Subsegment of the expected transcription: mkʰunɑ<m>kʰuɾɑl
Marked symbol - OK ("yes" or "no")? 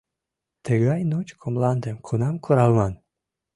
yes